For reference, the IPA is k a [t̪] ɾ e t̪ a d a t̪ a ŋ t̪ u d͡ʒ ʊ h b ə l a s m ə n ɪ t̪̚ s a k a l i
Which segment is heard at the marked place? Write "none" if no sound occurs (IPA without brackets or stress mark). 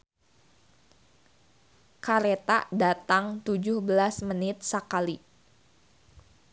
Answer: none